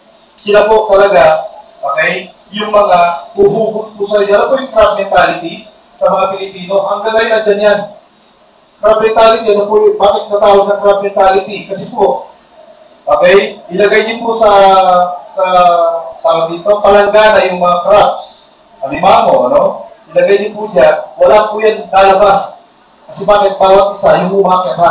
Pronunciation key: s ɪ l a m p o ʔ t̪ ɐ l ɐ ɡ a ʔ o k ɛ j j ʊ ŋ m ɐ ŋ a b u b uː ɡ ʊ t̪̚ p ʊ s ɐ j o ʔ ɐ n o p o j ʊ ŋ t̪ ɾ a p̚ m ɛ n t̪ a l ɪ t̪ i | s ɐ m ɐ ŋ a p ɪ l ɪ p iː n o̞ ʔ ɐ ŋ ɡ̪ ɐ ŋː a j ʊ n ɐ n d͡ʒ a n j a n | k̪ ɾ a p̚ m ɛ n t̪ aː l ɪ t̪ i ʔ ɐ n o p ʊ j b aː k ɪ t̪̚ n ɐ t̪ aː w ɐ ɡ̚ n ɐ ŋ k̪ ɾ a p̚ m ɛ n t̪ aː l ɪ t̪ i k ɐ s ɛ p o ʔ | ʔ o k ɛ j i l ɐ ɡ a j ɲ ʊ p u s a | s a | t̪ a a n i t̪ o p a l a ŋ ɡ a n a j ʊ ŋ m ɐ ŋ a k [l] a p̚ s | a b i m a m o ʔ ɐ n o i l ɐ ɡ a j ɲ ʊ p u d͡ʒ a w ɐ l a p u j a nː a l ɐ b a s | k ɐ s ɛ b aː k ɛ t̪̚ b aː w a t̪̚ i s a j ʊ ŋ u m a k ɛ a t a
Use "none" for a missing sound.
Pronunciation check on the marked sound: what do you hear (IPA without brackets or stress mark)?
ɾ